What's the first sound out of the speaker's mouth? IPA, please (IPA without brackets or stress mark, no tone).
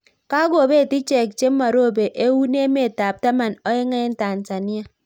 k